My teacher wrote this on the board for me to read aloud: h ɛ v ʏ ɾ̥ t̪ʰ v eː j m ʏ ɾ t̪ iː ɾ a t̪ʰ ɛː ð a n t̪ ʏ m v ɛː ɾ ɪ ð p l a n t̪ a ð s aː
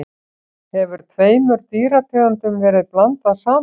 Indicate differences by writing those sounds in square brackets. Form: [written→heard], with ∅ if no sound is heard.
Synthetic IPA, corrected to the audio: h ɛ v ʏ ɾ̥ t̪ʰ v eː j m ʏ ɾ t̪ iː ɾ a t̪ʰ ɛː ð a n t̪ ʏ m v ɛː ɾ ɪ ð p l a n t̪ a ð s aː